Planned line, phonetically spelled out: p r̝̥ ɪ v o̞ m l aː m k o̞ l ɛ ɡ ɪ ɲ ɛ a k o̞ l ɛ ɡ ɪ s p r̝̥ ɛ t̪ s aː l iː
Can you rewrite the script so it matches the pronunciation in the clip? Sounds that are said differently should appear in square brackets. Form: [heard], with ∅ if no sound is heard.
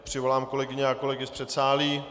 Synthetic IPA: p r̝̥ ɪ v o̞ [∅] l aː m k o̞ l ɛ ɡ ɪ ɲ ɛ a k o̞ l ɛ ɡ ɪ s p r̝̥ ɛ t̪ s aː l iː